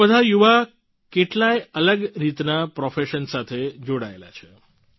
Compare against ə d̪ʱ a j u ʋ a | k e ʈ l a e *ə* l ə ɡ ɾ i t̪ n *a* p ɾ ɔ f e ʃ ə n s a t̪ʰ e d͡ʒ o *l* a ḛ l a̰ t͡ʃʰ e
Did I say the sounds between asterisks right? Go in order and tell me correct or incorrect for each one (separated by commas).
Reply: correct, correct, incorrect